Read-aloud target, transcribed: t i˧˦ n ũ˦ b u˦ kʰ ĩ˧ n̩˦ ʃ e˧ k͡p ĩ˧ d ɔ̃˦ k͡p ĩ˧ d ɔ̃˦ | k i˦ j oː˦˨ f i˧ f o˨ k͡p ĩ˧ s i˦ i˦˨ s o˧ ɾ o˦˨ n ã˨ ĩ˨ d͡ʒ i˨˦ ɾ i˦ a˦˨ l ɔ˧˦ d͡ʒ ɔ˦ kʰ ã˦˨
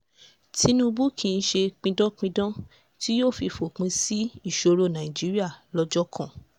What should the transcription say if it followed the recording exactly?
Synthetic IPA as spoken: t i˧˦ n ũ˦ b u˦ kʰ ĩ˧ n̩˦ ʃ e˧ k͡p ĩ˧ d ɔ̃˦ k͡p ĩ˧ d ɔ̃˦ | t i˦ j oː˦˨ f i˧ f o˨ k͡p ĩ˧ s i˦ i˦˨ ʃ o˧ ɾ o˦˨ n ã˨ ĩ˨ d͡ʒ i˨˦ ɾ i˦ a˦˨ l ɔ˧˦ d͡ʒ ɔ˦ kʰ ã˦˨

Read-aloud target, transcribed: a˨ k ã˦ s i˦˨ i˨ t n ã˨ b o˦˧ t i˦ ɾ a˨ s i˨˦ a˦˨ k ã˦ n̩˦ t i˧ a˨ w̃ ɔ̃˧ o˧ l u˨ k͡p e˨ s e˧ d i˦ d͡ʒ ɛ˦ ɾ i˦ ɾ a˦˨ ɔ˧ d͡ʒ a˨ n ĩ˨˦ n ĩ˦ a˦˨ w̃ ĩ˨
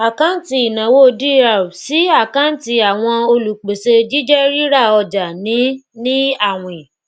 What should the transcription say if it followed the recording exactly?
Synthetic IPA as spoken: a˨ k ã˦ t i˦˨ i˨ n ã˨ w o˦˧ d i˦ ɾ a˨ s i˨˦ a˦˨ k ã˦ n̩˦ t i˧ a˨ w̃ ɔ̃˧ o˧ l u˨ k͡p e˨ s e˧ d͡ʒ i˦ d͡ʒ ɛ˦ ɾ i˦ ɾ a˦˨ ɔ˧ d͡ʒ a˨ n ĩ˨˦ n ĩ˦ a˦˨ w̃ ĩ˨

